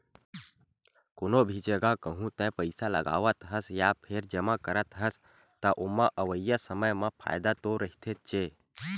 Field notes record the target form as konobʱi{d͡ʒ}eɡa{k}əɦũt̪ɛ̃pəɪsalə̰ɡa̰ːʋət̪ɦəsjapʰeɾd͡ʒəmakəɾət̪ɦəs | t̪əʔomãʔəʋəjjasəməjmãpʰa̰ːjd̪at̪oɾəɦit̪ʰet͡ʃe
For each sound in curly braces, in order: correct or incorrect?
correct, correct

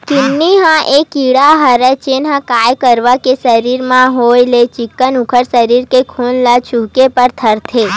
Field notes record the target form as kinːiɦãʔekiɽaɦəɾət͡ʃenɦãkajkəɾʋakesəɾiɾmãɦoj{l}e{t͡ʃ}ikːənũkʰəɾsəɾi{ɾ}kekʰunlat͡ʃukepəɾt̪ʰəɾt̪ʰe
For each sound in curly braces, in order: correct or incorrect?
correct, correct, correct

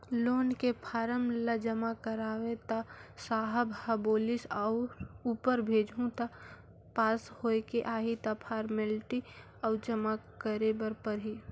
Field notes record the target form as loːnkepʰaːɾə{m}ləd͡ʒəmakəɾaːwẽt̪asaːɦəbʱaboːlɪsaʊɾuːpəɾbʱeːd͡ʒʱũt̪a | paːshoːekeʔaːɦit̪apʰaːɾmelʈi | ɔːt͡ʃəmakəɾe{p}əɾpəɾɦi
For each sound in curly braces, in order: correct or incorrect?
correct, incorrect

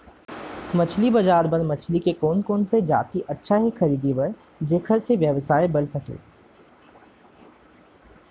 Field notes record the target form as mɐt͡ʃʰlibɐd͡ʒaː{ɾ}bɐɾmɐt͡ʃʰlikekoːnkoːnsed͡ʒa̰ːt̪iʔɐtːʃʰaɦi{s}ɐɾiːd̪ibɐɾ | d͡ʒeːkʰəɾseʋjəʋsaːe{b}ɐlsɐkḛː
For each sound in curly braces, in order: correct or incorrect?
correct, incorrect, correct

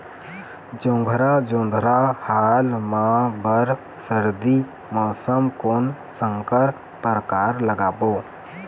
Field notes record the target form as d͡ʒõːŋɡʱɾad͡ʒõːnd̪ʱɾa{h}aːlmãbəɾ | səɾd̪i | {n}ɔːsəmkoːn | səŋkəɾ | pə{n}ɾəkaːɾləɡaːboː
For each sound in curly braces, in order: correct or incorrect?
correct, incorrect, incorrect

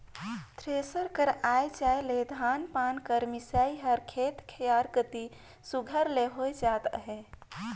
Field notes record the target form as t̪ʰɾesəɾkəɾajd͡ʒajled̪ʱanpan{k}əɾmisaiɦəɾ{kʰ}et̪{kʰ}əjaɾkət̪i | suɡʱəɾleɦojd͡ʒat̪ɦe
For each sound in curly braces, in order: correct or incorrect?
correct, correct, correct

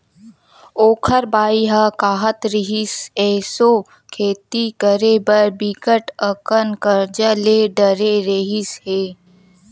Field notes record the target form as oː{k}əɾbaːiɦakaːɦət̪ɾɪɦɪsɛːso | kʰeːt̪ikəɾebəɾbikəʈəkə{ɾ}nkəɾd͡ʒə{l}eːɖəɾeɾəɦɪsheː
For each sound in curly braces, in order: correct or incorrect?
incorrect, incorrect, correct

